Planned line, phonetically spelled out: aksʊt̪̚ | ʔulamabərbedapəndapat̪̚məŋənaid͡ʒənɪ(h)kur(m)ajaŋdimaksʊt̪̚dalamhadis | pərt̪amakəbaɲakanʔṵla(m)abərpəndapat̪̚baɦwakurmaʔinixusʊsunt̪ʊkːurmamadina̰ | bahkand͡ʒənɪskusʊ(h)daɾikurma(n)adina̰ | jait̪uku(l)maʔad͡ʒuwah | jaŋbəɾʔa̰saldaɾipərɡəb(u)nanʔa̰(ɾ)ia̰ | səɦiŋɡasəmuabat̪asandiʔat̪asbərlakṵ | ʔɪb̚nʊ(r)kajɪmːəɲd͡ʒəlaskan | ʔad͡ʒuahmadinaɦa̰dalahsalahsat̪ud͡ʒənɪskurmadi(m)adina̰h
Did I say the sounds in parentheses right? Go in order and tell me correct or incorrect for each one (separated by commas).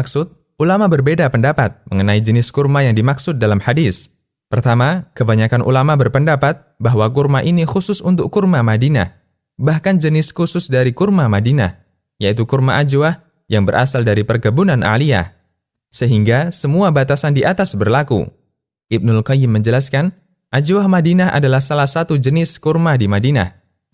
incorrect, correct, correct, incorrect, incorrect, incorrect, correct, incorrect, incorrect, correct